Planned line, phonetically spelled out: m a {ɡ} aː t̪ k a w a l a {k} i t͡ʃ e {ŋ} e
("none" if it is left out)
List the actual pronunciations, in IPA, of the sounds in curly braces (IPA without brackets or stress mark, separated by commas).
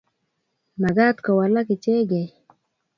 ɡ, k, ɡ